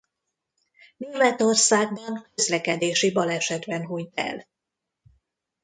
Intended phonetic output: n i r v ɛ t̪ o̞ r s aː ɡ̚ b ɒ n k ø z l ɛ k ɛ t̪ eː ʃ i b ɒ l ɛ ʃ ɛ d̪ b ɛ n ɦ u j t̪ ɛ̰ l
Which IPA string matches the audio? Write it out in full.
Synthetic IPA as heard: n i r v ɛ t̪ o̞ r s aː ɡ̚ b ɒ n k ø z l ɛ k ɛ d̪ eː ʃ i b ɒ l ɛ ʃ ɛ d̪ b ɛ n ɦ u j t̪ ɛ̰ l

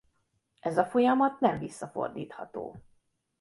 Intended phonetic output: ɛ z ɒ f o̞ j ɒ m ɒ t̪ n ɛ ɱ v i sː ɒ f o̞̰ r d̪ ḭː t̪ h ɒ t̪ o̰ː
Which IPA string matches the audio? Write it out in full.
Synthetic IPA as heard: ɛ z ɒ f o̞ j ɒ m ɒ t̪ n ɛ ɱ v i sː ɒ f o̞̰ r d̪ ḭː t̪ h ɒ t̪ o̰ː

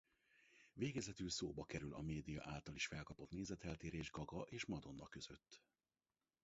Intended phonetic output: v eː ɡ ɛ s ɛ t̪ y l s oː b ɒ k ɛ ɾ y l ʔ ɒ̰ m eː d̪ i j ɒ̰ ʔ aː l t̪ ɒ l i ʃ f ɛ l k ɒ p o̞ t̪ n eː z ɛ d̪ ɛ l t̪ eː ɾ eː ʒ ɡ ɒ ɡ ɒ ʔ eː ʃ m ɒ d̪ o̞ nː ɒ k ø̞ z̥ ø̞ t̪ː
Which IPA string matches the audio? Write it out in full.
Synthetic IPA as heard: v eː ɡ ɛ z ɛ t̪ y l s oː b ɒ k ɛ ɾ y l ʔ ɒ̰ m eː d̪ i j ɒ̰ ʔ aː l t̪ ɒ l i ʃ f ɛ l k ɒ p o̞ t̪ n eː z ɛ t̪ ɛ l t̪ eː ɾ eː ʒ ɡ ɒ ɡ ɒ ʔ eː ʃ m ɒ d̪ o̞ nː ɒ k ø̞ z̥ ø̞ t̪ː

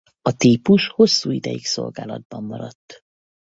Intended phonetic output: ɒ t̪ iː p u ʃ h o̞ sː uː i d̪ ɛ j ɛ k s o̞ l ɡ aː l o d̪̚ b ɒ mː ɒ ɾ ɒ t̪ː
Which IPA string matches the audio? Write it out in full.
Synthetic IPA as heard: ɒ t̪ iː p u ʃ h o̞ sː uː i d̪ ɛ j i k s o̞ l ɡ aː l ɒ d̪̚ b ɒ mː ɒ ɾ ɒ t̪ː

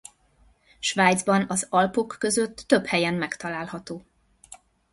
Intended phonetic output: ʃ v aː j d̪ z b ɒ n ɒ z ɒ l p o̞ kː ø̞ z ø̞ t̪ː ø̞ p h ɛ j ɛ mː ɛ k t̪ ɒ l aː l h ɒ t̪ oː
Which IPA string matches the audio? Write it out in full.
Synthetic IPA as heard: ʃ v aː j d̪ z b ɒ n ɒ z ɒ l p o̞ kː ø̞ z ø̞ t̪ː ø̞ p h ɛ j ɛ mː ɛ k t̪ ɒ l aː l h ɒ t̪ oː

